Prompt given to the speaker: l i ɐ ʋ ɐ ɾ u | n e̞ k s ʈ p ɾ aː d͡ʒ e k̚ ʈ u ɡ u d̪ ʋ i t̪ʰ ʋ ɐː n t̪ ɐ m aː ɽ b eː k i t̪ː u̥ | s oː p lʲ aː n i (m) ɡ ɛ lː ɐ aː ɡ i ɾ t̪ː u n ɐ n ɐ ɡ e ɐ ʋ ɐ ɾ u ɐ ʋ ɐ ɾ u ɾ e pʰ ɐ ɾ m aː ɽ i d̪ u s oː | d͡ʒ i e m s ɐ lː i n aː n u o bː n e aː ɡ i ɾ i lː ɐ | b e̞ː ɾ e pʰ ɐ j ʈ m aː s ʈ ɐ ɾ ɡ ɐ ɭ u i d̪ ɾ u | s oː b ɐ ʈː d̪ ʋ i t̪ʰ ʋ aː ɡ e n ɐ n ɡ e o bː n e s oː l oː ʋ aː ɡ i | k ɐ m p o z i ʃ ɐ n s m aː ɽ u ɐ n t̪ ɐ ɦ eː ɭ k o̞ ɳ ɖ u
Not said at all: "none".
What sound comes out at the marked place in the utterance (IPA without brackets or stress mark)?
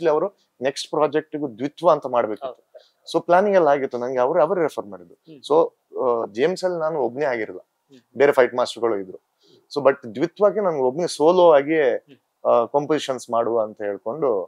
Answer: ŋ